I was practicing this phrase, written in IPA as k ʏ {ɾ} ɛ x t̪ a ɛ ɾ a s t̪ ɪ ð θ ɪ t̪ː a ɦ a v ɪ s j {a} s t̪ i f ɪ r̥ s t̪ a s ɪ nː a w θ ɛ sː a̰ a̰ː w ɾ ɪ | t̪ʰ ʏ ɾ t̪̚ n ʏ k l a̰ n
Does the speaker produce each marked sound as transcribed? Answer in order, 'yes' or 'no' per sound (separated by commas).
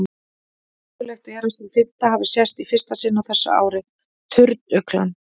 no, no